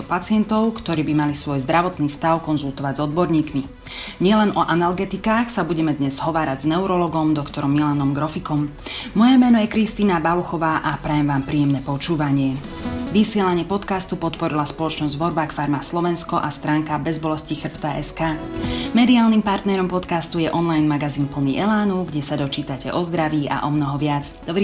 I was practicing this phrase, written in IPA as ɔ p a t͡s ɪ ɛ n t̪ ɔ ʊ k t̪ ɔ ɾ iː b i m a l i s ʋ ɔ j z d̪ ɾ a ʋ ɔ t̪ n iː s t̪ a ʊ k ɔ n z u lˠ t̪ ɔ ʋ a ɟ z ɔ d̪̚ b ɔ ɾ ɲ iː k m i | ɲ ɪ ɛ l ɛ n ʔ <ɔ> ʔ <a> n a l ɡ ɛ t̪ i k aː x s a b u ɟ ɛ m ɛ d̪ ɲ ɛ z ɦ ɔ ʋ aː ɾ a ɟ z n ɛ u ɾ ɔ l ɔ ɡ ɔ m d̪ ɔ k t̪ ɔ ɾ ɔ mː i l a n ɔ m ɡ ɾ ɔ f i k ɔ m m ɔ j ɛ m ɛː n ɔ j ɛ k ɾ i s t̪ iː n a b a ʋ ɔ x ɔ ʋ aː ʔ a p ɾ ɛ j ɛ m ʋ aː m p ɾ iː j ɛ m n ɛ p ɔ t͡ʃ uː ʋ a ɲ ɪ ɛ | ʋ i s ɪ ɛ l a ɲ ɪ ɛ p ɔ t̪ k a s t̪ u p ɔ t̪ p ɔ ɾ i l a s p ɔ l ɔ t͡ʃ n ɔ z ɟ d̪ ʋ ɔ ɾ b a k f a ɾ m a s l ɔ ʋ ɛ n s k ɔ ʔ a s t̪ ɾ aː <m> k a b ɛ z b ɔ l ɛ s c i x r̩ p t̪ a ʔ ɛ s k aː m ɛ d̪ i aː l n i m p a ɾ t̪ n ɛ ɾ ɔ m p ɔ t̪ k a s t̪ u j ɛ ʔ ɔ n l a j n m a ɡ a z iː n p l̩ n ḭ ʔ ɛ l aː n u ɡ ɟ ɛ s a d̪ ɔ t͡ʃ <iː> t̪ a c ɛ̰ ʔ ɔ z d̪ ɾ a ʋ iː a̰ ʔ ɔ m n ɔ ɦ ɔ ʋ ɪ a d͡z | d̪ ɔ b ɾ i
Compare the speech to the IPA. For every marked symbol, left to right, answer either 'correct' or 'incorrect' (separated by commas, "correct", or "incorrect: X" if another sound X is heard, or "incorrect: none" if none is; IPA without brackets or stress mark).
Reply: correct, correct, incorrect: ŋ, correct